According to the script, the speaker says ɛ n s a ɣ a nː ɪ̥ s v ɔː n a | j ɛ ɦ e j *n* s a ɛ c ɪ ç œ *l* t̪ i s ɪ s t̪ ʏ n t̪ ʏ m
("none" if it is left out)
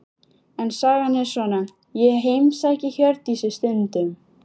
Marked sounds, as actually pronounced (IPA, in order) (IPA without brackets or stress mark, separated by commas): m, ɾ